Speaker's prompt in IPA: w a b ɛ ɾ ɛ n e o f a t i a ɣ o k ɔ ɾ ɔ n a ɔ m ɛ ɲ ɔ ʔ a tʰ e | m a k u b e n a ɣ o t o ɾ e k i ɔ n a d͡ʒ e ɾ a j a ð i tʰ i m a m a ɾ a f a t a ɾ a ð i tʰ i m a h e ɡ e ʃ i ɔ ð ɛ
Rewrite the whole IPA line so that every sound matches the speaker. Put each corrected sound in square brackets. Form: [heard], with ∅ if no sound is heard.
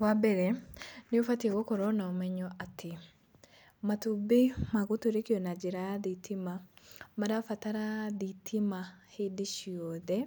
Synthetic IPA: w a b ɛ ɾ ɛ n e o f a t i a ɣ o k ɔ ɾ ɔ n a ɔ m ɛ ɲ ɔ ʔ a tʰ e | m a [t] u b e [m] a ɣ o t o ɾ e k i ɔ n a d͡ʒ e ɾ a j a ð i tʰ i m a m a ɾ a f a t a ɾ a ð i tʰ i m a h e [d] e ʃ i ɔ ð ɛ